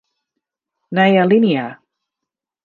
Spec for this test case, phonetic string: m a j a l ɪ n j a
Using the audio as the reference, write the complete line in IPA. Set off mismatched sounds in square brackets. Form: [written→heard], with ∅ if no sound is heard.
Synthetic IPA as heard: [m→n] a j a l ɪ n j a